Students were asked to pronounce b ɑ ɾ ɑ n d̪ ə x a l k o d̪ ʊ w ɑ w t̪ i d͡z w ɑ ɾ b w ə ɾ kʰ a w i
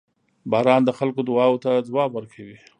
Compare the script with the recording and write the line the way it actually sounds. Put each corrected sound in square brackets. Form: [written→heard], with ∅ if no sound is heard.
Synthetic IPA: b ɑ ɾ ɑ n d̪ ə x a l k o d̪ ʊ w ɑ w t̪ [i→a] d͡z w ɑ [ɾ→∅] b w ə ɾ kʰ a w i

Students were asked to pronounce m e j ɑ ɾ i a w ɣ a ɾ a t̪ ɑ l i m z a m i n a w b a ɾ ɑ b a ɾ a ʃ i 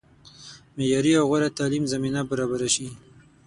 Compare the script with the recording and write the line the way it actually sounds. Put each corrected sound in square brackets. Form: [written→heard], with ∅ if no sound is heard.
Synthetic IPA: m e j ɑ ɾ i a w ɣ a ɾ a t̪ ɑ l i m z a m i n a [w→∅] b a ɾ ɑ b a ɾ a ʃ i

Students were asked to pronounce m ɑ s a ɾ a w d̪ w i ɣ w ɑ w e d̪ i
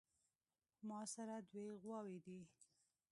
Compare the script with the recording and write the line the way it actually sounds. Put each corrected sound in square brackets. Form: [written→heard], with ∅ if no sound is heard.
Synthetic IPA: m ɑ s a ɾ a [w→∅] d̪ w [i→e] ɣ w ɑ w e d̪ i

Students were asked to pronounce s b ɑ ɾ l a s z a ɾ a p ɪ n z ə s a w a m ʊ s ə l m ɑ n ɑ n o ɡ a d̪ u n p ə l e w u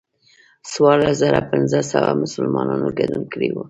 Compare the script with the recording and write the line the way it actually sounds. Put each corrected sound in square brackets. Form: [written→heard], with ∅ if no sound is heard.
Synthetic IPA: s [b→w] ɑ ɾ l a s z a ɾ a p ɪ n z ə s a w a m ʊ s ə l m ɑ n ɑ n o ɡ a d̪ u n [p→k] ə [l→ɽ] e w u

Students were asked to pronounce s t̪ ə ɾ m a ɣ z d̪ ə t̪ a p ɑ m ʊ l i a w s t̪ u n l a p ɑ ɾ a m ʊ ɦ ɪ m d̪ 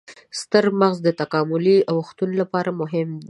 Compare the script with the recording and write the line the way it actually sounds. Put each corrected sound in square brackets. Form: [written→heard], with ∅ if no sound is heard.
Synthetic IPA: s t̪ ə ɾ m a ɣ z d̪ ə t̪ a [p→k] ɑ m ʊ l i a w [s→x] t̪ u n l a p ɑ ɾ a m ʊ ɦ ɪ m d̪

